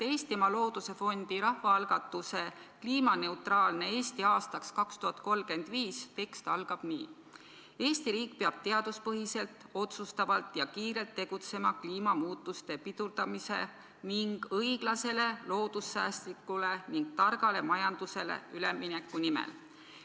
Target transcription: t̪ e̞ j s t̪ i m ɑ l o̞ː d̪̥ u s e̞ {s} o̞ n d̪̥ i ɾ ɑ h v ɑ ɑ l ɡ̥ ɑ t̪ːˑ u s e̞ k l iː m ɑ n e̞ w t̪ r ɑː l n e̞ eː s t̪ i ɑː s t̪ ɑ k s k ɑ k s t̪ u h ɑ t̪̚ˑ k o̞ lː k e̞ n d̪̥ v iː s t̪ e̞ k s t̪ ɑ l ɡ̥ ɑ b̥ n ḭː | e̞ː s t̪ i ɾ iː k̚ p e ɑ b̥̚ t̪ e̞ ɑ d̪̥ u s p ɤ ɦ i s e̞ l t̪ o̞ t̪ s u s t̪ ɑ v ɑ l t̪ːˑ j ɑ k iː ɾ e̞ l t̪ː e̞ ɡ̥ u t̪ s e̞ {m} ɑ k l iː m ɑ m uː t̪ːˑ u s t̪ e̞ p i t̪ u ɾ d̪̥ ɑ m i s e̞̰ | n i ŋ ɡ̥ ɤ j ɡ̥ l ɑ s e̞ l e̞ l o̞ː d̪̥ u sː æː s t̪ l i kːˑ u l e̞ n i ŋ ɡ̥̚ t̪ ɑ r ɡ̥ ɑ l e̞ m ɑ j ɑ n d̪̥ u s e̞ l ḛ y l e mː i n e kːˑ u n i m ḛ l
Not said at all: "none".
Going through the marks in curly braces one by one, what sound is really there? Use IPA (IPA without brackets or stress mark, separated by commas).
f, m